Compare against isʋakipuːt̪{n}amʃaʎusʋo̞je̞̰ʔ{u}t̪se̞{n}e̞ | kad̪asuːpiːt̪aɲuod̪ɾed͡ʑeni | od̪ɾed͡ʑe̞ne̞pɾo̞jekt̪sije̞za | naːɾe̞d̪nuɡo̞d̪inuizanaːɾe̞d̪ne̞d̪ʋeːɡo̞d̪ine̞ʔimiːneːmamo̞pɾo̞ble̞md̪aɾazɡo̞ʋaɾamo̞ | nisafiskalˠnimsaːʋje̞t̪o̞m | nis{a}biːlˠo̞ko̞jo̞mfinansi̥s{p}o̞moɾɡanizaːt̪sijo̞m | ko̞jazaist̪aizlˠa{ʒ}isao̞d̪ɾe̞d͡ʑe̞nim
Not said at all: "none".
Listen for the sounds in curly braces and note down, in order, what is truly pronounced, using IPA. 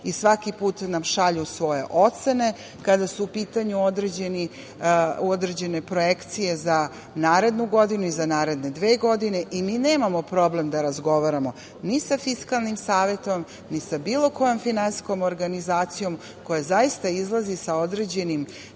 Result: n, o, n, a, k, z

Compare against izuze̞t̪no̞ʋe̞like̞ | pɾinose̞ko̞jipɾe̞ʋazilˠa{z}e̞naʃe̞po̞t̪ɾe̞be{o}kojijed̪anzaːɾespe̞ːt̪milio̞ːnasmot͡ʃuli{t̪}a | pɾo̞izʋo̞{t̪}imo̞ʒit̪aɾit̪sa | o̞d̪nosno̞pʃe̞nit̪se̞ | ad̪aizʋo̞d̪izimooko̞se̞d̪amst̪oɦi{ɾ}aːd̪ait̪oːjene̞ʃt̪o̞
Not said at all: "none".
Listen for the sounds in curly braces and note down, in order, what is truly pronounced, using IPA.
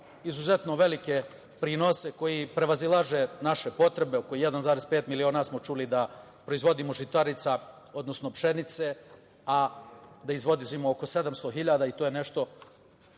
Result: ʒ, o, d̪, d̪, ʎ

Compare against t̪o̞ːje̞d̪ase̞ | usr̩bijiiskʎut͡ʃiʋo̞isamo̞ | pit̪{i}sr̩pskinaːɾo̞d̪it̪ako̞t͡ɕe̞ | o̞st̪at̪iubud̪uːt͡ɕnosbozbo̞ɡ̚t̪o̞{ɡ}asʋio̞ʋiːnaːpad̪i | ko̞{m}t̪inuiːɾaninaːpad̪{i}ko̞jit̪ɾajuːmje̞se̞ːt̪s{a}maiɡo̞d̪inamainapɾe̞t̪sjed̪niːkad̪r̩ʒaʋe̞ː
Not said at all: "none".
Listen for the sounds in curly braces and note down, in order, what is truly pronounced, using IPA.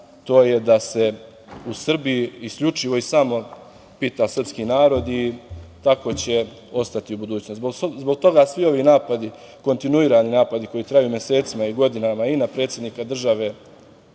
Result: a, ɡ, n, i, i

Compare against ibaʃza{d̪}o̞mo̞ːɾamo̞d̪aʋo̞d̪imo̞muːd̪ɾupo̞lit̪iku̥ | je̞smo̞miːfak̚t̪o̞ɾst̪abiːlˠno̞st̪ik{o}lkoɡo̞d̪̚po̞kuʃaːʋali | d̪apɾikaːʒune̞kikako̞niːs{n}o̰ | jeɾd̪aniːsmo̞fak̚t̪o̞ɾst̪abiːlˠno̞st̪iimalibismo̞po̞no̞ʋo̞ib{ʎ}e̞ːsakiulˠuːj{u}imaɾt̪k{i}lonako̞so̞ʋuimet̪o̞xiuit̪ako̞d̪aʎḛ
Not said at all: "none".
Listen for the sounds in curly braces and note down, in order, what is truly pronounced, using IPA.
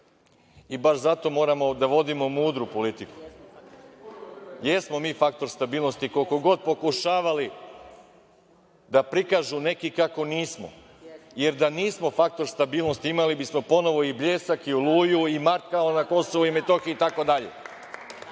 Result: t̪, o, m, ʎ, u, a

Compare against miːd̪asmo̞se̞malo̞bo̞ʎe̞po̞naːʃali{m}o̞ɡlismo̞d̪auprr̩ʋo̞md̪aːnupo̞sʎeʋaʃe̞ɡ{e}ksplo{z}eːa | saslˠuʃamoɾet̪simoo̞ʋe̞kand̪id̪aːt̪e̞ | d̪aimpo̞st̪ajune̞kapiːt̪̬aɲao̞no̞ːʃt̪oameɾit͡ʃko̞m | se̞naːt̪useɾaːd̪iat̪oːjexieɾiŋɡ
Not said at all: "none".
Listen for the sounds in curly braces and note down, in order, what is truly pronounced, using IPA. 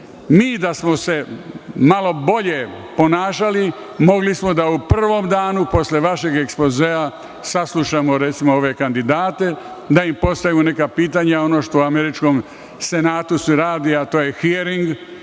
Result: m, e, z

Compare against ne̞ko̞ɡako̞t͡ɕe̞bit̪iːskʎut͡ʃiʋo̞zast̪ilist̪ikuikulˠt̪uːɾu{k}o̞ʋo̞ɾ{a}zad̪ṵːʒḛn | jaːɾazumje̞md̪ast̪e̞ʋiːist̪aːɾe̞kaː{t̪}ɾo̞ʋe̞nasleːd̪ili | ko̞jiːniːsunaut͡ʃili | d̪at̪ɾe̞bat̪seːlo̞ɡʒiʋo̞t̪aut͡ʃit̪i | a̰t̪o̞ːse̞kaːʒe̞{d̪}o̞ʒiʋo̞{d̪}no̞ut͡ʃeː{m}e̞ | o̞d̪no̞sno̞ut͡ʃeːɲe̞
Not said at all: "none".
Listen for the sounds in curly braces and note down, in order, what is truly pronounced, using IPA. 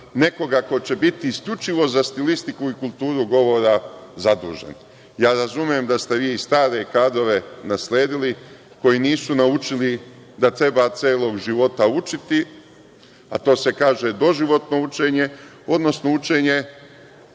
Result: ɡ, a, d̪, d̪, t̪, ɲ

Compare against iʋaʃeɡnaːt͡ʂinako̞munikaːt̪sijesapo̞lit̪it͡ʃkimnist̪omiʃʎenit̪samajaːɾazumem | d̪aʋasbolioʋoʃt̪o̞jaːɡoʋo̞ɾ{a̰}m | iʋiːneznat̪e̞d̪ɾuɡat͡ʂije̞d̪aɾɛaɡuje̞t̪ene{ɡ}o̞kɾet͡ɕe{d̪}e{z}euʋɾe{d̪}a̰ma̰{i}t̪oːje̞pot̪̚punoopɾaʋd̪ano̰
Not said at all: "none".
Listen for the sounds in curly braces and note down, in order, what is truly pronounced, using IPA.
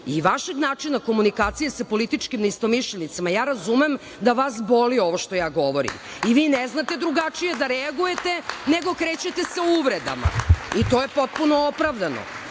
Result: ḭ, ɡ, t̪, s, d̪, i

